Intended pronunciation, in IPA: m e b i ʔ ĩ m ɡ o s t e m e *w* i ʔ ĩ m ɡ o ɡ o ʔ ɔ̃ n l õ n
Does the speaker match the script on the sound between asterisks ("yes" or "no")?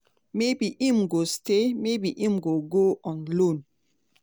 no